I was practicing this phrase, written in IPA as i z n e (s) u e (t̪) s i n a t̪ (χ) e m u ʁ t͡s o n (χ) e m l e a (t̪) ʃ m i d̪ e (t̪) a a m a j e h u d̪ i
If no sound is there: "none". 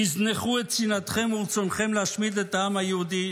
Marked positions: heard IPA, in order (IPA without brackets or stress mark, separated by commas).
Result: χ, t̪, χ, χ, none, t̪